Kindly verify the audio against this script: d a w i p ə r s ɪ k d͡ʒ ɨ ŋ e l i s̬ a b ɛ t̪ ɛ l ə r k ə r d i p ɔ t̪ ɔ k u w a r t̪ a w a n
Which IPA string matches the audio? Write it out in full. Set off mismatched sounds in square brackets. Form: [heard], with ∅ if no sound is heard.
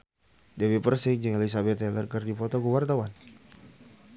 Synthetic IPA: d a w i p ə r s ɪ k d͡ʒ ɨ ŋ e l i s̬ a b ɛ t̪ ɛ l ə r k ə r d i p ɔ t̪ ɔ k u w a r t̪ a w a n